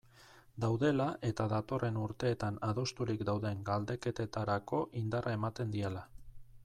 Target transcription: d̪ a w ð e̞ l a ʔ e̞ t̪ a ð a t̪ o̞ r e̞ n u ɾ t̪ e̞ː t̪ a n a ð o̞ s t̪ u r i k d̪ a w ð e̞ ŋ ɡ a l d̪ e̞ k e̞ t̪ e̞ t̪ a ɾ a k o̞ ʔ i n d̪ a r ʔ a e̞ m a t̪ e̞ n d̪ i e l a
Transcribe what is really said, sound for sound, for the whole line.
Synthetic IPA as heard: d̪ a w ð e̞ l a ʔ e̞ t̪ a ð a t̪ o̞ r e̞ n u ɾ t̪ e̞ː t̪ a n a ð o̞ s t̪ u ɾ i k d̪ a w ð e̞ ŋ ɡ a l d̪ e̞ k e̞ t̪ e̞ t̪ a ɾ a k o̞ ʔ i n d̪ a r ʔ a e̞ m a t̪ e̞ n d̪ i e l a